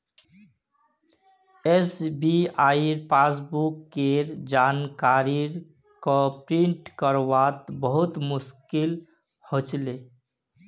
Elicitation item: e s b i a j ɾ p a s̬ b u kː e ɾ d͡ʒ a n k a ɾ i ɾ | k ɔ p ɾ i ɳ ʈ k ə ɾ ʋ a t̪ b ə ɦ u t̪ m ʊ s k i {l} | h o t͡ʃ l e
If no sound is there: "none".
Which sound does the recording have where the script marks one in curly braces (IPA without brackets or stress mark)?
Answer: l